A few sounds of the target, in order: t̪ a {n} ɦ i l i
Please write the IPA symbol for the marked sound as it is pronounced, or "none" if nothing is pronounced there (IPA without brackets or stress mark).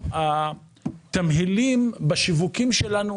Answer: m